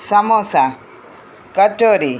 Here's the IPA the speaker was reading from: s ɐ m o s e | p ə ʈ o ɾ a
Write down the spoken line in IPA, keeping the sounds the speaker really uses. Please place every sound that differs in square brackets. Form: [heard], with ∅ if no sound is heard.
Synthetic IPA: s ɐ m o s [a] | [k] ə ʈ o ɾ [i]